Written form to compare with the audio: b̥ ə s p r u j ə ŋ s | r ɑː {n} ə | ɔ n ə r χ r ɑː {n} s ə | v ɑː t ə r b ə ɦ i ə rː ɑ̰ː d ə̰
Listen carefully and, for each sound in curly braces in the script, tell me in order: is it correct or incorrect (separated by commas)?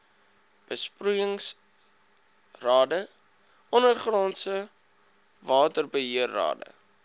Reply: incorrect, correct